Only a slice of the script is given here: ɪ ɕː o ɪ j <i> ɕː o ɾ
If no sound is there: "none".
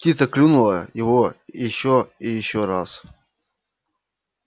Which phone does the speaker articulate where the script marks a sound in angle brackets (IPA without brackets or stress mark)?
ɪ